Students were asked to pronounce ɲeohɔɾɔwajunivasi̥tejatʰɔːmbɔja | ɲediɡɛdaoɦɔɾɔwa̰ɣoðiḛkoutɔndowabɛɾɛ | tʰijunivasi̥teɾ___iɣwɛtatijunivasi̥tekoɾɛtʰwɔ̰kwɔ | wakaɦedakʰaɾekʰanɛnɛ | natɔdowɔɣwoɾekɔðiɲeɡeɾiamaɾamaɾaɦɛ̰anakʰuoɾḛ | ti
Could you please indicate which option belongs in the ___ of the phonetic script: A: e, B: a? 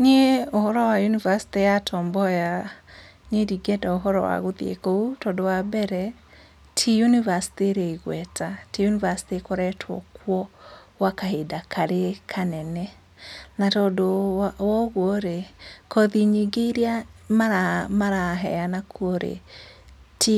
A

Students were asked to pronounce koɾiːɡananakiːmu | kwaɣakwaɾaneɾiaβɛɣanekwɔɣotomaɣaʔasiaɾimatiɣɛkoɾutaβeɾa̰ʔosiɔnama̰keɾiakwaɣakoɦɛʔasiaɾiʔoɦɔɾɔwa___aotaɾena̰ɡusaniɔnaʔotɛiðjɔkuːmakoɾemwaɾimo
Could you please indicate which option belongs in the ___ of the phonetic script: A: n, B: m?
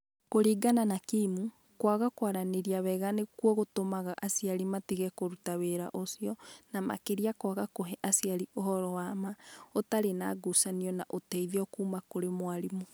B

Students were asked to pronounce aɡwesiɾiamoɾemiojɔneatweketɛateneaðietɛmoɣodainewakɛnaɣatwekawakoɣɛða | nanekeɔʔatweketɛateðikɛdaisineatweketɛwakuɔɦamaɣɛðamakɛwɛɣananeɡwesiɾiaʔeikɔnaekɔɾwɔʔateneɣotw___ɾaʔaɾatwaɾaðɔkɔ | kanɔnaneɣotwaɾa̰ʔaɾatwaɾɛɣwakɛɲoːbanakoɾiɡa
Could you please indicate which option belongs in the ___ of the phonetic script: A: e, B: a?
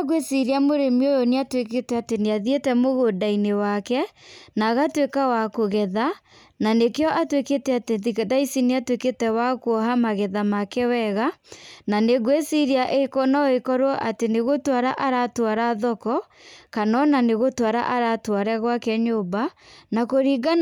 B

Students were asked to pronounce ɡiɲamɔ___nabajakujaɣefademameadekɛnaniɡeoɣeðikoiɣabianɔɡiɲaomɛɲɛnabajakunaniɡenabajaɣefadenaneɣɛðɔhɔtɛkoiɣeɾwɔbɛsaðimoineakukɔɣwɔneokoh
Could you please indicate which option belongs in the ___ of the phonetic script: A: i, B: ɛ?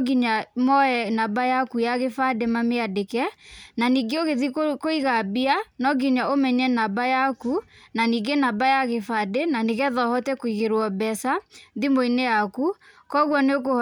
B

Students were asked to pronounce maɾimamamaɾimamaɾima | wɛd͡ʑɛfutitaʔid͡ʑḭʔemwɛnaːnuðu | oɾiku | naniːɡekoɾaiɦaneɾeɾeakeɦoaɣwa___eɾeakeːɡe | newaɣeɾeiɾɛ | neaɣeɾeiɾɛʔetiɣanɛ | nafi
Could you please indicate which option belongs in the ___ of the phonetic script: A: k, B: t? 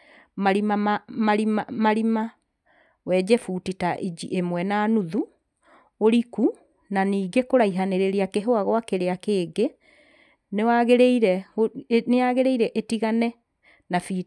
A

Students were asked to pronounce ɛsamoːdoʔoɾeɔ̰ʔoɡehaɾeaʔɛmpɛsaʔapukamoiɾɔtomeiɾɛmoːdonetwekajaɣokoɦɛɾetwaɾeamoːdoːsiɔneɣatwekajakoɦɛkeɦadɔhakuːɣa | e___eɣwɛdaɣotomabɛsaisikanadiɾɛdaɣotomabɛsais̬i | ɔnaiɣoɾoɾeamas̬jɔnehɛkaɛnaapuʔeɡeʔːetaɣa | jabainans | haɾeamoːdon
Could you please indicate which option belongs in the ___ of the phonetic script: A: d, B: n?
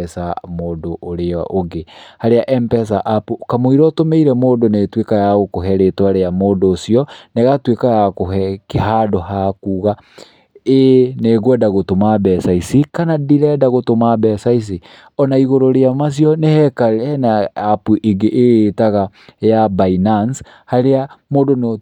B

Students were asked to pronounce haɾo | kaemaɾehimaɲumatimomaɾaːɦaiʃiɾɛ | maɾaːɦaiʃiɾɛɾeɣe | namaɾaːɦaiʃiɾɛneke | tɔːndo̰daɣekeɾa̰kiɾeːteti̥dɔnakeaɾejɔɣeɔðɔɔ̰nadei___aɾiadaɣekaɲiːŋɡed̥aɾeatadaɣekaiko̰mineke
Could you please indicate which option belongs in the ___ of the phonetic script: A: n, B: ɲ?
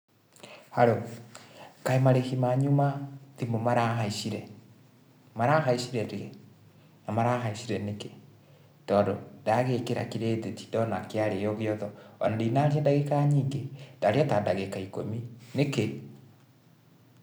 A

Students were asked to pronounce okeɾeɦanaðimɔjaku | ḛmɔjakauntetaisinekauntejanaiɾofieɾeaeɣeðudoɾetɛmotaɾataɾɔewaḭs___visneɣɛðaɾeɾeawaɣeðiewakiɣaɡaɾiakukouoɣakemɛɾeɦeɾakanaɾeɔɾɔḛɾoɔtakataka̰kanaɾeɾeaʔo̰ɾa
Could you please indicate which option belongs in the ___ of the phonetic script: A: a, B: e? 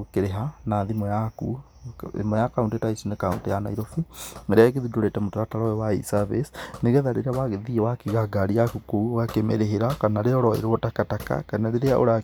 A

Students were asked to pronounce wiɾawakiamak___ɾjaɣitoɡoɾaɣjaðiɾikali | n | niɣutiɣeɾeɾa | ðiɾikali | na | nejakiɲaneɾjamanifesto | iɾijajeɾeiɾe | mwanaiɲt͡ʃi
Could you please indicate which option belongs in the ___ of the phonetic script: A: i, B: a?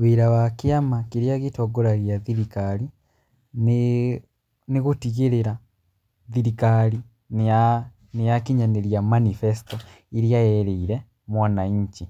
A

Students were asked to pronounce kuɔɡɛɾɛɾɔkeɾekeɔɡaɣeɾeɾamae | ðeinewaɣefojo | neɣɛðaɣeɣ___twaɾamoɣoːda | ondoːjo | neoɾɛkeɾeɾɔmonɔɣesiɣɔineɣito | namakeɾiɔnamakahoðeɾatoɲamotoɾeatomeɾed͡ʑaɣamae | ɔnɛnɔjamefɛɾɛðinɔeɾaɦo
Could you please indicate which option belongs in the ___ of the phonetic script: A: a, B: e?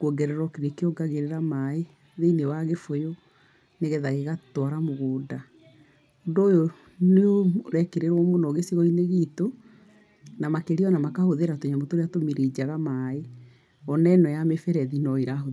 A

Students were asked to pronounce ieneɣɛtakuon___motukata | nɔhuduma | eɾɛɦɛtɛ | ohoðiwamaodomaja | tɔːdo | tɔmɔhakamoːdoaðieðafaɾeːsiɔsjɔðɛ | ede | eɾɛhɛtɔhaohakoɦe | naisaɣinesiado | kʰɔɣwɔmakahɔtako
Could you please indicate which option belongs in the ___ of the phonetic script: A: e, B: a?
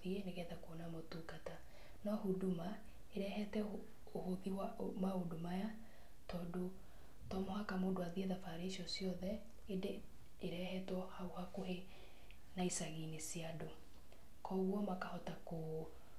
B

